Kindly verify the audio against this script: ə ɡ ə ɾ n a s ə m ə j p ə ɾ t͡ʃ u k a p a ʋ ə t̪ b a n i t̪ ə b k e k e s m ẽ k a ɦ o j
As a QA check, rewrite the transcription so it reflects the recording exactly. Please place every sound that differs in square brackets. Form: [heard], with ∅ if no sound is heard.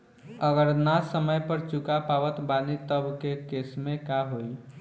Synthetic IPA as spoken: ə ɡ ə ɾ n a s ə m ə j p ə ɾ t͡ʃ u k a p a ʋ ə t̪ b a n i t̪ ə b k e k e s m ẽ k a ɦ o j